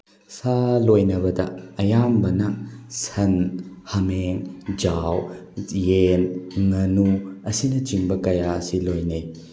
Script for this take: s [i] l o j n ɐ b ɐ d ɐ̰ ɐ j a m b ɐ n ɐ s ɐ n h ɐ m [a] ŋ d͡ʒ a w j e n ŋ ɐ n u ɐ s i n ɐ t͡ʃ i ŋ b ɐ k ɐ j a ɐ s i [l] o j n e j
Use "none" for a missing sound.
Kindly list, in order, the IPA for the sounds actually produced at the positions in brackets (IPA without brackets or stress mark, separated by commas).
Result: a, e, l